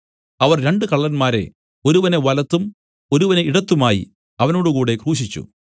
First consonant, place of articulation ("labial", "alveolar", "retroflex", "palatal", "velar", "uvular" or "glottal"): labial